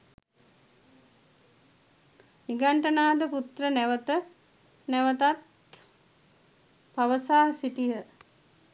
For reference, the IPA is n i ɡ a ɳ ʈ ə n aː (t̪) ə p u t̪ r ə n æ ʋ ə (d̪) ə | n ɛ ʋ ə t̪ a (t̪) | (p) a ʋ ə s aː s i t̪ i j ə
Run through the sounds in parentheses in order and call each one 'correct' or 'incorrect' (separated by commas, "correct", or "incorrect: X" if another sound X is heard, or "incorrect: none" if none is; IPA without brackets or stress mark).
incorrect: d̪, incorrect: t̪, correct, correct